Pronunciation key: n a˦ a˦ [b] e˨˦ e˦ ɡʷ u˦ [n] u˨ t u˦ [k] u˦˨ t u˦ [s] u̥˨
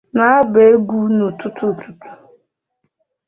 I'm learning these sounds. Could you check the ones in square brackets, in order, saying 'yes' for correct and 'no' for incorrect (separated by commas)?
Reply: yes, yes, no, no